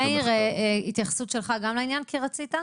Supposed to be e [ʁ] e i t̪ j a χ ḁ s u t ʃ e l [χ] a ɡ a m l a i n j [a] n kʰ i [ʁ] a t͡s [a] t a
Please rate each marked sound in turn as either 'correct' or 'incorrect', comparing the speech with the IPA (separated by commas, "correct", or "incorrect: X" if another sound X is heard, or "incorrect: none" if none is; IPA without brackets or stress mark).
correct, correct, correct, correct, incorrect: i